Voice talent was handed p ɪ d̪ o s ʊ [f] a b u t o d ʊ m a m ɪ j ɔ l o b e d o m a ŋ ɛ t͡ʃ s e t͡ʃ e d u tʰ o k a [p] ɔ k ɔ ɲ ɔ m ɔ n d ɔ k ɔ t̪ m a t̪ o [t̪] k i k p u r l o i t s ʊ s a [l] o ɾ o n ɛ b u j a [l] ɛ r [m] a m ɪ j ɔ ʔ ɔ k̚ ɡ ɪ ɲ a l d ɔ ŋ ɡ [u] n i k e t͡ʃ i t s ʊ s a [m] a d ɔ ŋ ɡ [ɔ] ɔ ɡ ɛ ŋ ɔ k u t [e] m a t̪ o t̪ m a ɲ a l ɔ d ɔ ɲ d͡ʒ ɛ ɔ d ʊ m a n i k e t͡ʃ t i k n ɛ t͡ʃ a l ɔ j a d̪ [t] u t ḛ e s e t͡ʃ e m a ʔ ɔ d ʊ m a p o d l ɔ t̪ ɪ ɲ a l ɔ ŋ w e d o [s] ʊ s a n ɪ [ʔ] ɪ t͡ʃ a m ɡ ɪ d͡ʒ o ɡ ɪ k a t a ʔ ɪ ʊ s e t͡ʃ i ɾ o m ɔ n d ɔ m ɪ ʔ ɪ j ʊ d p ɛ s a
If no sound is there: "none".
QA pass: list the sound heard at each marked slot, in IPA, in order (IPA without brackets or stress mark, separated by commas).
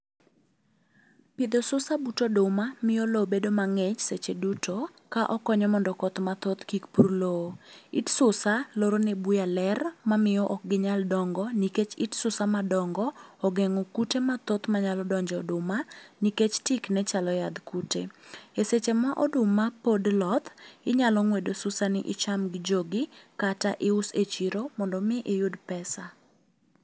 s, ʔ, t̪, l, l, m, ɔ, m, ɔ, e, k, s, ʔ